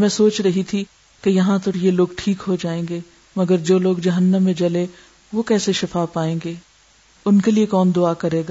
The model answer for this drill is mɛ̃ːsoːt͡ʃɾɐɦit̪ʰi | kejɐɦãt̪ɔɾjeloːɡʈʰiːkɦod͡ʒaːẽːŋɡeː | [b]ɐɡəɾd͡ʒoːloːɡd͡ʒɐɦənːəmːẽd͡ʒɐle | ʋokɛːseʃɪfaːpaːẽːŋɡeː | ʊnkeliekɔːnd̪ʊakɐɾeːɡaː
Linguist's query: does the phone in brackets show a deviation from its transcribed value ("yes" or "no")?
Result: yes